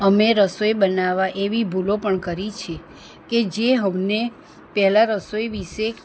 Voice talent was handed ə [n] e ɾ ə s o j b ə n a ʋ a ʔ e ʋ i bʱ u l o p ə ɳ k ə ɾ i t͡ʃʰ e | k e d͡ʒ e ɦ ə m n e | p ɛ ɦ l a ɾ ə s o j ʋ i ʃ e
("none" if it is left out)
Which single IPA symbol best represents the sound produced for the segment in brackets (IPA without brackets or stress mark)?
m